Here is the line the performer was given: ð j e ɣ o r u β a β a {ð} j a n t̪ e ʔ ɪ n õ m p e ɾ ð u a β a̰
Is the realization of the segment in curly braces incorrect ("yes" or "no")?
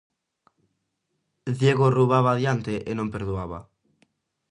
no